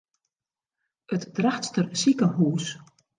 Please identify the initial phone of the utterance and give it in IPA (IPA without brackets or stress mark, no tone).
ə